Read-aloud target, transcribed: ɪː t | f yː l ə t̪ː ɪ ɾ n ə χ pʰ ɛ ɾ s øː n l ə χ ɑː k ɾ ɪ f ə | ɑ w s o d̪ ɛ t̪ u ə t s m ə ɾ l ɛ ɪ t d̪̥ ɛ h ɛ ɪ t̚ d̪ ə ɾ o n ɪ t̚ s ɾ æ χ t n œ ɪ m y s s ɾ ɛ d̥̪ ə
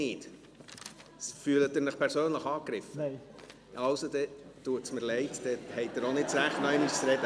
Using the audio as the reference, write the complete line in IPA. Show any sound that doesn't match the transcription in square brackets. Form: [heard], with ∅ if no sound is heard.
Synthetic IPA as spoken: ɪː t | f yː l ə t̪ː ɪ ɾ n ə χ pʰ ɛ ɾ s øː n l ə χ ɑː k ɾ ɪ f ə | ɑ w s o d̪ ɛ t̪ u ə t s m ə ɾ l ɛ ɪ t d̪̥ ɛ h ɛ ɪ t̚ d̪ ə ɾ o n ɪ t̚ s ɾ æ χ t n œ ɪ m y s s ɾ ɛ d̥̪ ə